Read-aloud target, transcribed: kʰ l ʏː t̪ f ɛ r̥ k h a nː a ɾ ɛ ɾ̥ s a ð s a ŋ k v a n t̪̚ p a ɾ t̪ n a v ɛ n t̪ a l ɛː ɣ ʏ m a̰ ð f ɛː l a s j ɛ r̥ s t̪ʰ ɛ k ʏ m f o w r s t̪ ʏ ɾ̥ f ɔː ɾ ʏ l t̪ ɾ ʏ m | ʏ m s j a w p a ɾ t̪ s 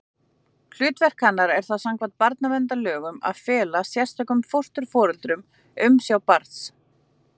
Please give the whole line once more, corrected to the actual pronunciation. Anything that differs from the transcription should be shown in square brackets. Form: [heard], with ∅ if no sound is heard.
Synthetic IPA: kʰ l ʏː t̪ [v] ɛ r̥ k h a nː a ɾ ɛ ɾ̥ [θ] a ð s a ŋ k v a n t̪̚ p a ɾ t̪ n a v ɛ n t̪ a l [œː] ɣ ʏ m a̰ ð f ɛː l a s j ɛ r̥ s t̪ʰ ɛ k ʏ m f o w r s t̪ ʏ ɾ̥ f ɔː ɾ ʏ l t̪ ɾ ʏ m | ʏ m s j a w p a ɾ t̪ s